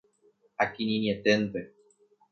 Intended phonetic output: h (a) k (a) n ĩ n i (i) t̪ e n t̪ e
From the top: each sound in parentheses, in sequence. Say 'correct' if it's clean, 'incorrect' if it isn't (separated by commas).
correct, incorrect, incorrect